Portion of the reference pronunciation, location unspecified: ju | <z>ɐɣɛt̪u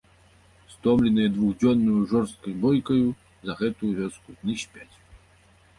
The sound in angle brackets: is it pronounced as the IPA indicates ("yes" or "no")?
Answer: yes